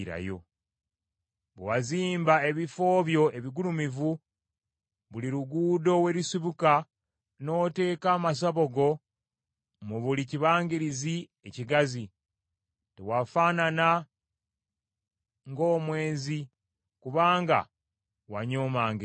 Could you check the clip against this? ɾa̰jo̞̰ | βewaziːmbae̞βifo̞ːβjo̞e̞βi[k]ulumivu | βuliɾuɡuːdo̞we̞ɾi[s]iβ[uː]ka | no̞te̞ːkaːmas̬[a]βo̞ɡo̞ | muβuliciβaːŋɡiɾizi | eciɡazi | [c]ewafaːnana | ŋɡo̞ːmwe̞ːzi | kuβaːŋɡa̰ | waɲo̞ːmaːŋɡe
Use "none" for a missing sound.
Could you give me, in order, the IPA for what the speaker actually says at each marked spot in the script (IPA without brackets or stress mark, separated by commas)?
ɡ, s, u, a, t